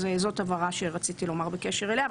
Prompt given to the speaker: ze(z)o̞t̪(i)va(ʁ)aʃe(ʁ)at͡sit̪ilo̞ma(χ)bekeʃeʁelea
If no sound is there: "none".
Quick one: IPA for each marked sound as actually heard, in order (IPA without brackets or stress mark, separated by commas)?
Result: z, a, ʁ, ʁ, ʁ